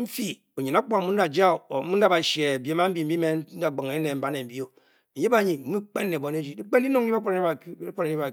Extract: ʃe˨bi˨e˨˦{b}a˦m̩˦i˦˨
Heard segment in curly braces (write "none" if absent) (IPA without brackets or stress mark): m